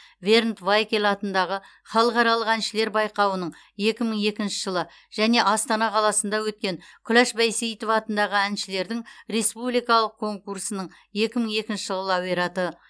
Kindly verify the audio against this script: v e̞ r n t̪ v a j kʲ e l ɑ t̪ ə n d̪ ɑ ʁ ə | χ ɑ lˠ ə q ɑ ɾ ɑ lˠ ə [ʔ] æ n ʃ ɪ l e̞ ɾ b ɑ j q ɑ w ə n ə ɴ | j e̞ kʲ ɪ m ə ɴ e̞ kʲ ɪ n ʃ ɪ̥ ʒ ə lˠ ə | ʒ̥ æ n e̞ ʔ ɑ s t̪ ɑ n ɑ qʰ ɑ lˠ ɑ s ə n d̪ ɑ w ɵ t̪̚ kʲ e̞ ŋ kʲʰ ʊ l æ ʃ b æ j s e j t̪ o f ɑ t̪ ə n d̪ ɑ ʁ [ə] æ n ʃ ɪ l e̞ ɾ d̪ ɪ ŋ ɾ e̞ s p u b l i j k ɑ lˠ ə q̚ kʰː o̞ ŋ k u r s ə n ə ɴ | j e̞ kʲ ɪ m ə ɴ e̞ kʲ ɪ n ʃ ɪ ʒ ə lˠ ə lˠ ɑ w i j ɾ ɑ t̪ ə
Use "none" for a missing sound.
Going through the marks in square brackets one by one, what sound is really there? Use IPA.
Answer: q, ə

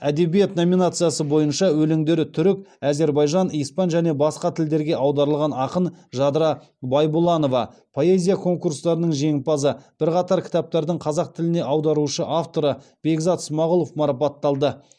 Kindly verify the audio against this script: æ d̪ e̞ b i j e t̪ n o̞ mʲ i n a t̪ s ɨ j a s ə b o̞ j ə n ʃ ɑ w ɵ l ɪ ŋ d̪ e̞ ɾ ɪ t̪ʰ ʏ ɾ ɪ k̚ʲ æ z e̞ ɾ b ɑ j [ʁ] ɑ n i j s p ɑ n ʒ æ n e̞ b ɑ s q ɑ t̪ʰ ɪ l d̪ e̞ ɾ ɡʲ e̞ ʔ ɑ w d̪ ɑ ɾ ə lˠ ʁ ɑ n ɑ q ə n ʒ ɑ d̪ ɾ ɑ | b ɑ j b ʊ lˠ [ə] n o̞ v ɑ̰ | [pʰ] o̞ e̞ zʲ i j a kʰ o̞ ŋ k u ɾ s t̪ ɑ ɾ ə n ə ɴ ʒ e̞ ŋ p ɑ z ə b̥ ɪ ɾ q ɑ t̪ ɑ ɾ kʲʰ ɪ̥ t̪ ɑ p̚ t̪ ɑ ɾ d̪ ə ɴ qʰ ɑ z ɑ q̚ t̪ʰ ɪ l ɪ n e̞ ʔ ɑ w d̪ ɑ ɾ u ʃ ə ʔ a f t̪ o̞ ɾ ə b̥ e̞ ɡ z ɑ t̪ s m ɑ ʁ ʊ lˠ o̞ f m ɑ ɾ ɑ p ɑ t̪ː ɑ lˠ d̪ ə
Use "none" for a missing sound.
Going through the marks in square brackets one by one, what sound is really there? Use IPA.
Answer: ʒ, ɑ, pʰ

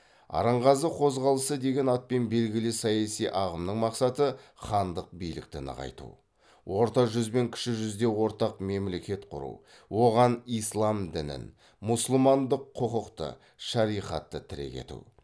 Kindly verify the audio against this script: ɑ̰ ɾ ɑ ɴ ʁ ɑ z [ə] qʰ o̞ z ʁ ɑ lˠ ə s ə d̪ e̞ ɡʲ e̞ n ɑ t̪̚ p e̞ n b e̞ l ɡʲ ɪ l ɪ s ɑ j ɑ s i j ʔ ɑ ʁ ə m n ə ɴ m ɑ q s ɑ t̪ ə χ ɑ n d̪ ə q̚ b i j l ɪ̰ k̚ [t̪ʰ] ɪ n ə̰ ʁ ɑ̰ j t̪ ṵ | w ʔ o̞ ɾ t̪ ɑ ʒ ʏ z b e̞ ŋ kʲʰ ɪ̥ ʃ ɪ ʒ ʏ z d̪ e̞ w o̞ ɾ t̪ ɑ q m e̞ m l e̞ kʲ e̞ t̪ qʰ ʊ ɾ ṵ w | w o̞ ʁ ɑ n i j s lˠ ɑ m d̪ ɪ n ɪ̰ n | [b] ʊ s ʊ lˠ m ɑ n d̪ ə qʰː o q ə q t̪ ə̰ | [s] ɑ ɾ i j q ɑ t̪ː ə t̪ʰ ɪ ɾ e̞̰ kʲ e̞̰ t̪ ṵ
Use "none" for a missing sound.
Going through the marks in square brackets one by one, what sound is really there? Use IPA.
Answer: ə, t̪, m, ʃ

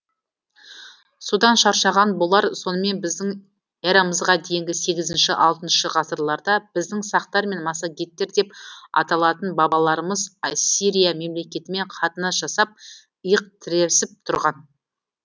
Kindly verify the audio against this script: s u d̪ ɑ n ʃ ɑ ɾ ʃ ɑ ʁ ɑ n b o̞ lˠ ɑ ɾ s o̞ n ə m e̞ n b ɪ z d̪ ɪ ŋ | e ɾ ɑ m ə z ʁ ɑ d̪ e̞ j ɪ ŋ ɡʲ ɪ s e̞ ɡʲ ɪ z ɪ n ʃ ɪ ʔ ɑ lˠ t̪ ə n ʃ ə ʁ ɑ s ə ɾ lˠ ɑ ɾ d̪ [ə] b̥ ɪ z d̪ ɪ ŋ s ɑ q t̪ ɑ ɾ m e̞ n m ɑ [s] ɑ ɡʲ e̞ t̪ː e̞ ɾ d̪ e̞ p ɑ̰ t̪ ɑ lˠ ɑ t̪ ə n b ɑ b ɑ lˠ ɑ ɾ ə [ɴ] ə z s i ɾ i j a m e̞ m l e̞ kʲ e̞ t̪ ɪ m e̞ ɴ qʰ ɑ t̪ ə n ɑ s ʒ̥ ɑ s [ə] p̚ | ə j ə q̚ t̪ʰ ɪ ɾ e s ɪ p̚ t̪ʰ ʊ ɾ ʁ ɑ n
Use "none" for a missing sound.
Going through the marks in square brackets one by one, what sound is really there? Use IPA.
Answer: ɑ, s, m, ɑ

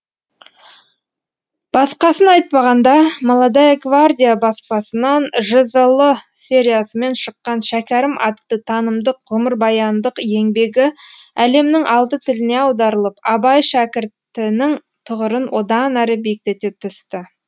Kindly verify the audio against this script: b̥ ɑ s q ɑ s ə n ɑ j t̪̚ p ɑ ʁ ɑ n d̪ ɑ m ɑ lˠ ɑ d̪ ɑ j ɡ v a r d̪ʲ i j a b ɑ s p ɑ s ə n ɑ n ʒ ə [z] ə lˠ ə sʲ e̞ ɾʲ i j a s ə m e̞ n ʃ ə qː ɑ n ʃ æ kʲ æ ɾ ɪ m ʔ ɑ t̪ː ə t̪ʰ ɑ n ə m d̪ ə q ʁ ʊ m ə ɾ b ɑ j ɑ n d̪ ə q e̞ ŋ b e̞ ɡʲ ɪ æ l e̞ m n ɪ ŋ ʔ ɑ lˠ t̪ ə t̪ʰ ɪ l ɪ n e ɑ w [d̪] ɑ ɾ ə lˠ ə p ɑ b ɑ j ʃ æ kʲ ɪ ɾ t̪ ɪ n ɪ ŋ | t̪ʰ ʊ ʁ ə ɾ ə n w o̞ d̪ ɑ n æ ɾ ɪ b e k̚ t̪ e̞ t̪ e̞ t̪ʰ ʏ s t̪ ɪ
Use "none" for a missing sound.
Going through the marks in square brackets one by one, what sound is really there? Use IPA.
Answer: z, d̪

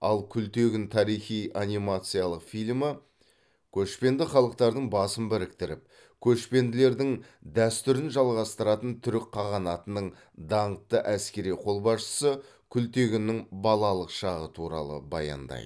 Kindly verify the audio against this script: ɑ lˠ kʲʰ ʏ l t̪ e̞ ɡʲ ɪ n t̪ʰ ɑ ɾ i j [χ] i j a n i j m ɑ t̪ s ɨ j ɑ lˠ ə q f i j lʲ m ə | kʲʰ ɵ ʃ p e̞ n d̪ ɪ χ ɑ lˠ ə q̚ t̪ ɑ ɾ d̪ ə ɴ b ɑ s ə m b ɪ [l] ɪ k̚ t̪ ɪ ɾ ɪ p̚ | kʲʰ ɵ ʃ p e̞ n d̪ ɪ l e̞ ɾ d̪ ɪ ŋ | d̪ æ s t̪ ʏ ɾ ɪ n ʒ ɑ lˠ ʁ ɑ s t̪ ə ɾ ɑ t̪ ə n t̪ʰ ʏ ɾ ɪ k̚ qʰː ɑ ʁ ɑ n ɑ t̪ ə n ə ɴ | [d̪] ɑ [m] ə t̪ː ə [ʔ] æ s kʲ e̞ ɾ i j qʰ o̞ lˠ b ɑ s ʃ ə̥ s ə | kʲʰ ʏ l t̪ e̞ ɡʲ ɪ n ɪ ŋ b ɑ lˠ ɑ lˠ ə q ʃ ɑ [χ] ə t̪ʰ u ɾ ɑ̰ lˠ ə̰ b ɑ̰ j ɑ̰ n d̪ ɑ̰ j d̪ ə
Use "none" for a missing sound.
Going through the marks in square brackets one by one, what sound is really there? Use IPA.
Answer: χ, ɾ, d̪, ɴ, ʔ, ʁ

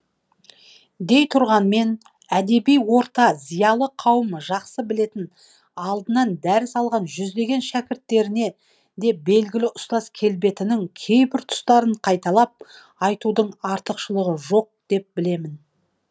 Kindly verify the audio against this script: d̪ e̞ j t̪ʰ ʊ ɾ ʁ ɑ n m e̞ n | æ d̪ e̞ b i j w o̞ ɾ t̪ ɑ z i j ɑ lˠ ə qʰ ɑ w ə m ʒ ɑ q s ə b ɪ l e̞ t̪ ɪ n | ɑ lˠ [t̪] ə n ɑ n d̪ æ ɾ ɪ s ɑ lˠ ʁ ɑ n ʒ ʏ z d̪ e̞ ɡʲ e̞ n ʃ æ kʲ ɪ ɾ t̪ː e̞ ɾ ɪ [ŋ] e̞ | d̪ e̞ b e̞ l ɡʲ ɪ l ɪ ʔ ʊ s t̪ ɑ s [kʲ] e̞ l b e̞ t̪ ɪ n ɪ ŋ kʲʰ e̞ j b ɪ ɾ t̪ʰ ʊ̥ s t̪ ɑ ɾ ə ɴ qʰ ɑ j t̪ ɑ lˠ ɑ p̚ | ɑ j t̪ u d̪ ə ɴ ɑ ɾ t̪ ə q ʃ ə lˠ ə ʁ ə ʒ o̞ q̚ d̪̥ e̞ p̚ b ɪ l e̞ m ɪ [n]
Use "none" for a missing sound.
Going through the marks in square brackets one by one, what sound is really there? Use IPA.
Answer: d̪, n, kʲʰ, n

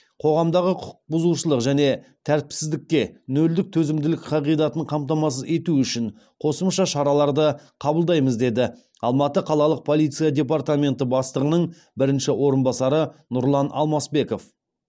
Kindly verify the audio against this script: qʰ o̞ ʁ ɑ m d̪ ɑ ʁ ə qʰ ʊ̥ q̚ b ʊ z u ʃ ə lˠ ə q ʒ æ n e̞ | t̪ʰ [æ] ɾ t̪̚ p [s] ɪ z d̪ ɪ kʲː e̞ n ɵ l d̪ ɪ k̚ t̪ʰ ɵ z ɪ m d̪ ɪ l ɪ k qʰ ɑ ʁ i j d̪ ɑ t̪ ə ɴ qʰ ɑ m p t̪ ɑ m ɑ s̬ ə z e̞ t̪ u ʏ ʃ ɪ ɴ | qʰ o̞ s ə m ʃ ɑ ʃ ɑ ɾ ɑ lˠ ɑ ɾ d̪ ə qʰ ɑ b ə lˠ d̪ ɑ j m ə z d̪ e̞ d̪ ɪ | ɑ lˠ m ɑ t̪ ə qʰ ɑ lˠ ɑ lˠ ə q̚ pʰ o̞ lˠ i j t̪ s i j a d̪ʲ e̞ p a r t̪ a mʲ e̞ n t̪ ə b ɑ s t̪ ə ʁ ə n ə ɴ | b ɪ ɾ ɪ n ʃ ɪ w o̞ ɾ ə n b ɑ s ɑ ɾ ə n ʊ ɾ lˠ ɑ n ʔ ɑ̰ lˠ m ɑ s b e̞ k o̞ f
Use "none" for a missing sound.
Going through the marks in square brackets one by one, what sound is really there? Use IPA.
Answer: æ, s

